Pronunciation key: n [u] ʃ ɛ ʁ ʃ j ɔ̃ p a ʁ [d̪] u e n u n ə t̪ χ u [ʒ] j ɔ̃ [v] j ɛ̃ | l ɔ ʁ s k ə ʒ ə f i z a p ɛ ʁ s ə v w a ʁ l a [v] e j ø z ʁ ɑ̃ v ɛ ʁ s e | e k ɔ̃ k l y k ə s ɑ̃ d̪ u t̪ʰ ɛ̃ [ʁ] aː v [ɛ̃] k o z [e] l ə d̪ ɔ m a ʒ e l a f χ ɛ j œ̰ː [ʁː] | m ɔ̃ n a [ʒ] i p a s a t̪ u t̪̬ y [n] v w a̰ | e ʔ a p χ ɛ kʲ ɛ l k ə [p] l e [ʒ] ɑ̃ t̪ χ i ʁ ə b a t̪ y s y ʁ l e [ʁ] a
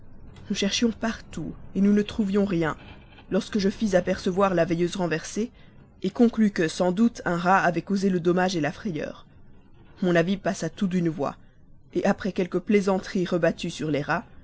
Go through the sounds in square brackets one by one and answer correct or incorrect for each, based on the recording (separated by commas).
correct, incorrect, incorrect, incorrect, correct, correct, incorrect, correct, incorrect, incorrect, correct, correct, incorrect, correct